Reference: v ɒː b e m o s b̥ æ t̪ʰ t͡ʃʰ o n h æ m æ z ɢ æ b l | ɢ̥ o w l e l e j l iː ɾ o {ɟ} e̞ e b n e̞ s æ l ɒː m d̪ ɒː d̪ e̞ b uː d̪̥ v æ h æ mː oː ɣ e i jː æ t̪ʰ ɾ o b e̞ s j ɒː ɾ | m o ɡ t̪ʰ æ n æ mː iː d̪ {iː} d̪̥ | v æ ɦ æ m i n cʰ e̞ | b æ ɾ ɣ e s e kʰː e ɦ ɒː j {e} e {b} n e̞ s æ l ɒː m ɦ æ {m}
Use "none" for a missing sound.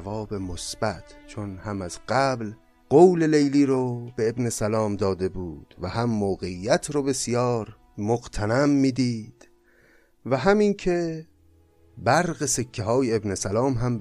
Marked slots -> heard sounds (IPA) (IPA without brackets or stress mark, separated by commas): b, iː, e, b, m